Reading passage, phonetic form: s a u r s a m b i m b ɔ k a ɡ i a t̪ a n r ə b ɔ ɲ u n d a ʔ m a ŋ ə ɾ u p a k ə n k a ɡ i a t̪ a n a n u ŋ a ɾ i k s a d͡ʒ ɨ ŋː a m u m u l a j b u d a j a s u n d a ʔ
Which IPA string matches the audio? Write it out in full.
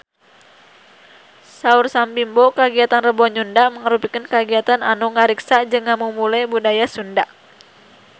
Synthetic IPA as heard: s a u r s a m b i m b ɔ k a ɡ i a t̪ a n r ə b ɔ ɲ u n d a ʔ m ə ŋ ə ɾ u p i k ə n k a ɡ i a t̪ a n a n u ŋ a ɾ i k s a d͡ʒ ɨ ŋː a m u m u l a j b u d a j a s u n d a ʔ